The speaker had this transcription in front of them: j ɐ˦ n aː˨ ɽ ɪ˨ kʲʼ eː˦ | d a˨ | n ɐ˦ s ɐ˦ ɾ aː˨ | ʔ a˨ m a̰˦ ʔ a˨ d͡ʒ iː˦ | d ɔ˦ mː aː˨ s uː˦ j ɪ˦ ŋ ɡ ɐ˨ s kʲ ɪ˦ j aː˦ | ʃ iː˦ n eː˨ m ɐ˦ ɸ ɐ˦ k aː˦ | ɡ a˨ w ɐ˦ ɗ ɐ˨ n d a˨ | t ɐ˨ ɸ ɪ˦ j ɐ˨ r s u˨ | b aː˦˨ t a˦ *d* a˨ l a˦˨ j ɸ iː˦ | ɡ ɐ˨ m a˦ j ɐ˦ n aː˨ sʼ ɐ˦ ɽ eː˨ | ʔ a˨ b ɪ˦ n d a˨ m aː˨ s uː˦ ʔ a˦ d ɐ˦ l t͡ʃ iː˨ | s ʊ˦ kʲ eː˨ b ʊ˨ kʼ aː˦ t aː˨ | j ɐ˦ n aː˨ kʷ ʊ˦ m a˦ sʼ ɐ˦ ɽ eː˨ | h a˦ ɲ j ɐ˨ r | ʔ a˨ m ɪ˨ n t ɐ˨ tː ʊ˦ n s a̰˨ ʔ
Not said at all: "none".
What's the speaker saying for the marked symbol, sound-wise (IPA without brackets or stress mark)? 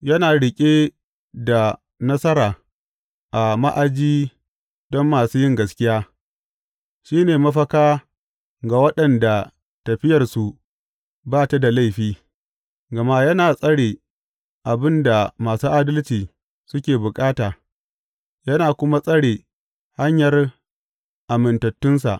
d